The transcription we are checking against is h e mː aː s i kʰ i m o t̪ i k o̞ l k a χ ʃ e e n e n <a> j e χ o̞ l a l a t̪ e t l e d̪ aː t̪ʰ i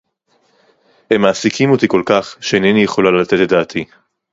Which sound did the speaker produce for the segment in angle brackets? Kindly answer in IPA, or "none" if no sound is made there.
i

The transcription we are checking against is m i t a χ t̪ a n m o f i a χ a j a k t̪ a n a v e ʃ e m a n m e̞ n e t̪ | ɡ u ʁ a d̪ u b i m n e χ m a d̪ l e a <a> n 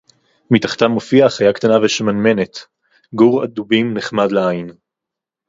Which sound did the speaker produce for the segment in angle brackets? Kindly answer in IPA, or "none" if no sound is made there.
i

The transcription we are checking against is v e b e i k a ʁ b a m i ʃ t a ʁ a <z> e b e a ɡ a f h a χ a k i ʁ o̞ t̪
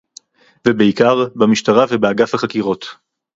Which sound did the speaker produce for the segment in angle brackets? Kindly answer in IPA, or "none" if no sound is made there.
v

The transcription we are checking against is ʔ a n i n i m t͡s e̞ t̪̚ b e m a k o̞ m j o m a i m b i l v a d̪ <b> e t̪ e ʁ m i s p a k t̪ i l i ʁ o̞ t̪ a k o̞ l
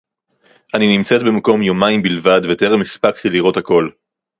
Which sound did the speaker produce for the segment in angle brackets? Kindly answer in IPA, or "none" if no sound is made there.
v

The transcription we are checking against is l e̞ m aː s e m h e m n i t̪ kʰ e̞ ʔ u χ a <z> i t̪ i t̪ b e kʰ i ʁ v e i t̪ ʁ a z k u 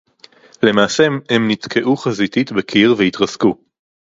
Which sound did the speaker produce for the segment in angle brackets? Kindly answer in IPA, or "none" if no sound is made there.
z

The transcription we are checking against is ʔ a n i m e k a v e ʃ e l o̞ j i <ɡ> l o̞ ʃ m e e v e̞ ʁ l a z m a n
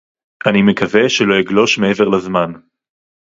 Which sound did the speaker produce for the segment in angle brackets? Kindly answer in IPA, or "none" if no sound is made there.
ɡ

